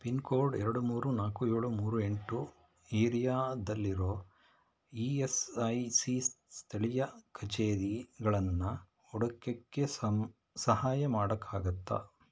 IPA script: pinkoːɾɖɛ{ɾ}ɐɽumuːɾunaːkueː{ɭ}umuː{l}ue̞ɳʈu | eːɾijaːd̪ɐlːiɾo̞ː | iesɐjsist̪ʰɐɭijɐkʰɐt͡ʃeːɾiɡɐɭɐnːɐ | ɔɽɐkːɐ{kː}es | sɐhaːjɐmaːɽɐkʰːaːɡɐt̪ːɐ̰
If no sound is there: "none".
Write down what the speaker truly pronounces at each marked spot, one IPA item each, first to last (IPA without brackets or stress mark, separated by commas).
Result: ɾ, ɭ, ɾ, kː